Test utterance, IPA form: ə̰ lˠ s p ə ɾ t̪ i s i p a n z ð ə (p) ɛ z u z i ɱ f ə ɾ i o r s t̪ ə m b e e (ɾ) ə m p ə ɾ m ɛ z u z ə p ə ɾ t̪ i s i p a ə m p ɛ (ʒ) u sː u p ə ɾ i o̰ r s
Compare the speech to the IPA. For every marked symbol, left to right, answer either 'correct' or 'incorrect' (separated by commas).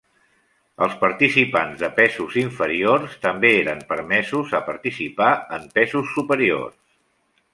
correct, correct, incorrect